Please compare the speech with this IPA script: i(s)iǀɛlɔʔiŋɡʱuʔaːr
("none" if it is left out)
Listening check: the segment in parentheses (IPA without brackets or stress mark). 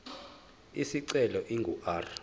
s